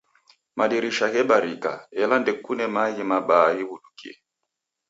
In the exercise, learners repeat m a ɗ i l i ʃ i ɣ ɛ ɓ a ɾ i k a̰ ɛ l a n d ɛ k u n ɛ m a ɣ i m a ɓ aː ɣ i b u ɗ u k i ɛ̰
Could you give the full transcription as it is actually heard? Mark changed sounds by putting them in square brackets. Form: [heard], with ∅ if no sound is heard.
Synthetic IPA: m a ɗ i [ɾ] i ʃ [a] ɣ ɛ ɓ a ɾ i k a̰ ɛ l a n d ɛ k u n ɛ m a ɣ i m a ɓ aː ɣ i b u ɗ u k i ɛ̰